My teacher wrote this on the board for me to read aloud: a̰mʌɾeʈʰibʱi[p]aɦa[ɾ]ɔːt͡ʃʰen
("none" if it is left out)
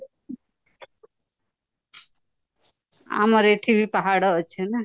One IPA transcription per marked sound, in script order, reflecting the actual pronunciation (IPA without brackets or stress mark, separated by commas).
p, ɽ